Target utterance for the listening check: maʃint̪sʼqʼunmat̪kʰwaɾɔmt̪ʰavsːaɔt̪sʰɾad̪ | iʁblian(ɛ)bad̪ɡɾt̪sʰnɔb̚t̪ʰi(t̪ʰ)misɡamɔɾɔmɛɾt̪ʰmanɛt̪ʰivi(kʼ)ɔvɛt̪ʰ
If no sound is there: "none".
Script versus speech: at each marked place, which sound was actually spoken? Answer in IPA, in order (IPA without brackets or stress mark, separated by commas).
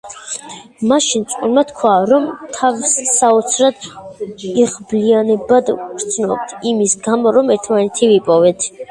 ɛ, none, pʼ